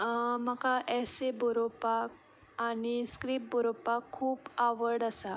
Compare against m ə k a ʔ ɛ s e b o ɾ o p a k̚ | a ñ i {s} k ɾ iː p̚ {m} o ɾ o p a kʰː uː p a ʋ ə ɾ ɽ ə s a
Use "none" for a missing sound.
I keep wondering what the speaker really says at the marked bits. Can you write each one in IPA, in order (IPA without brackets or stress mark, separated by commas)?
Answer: s, b